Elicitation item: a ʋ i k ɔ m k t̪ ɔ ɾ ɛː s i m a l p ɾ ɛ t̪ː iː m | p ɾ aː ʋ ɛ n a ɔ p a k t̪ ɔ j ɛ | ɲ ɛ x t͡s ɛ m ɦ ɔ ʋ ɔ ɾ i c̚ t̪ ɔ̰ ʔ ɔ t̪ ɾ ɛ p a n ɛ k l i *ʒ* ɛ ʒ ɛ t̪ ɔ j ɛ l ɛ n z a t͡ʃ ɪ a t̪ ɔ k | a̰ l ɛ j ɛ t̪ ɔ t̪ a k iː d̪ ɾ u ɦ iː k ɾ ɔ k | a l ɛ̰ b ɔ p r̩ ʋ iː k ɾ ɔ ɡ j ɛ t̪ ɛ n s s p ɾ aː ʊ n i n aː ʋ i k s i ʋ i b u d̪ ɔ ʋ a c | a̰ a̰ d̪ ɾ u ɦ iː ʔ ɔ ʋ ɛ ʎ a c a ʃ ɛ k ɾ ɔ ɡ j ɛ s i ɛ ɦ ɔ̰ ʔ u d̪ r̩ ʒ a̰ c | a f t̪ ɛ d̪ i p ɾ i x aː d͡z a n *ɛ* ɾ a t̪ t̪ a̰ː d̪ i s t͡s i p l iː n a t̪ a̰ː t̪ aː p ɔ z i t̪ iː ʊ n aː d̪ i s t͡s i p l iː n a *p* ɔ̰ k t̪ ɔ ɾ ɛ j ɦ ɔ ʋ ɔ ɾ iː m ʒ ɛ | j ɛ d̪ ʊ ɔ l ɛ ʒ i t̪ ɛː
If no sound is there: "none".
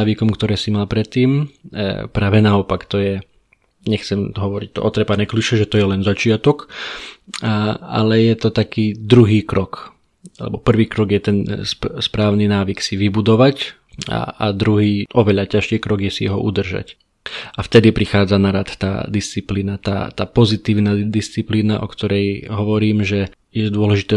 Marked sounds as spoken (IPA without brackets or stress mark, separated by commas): ʃ, a, ʔ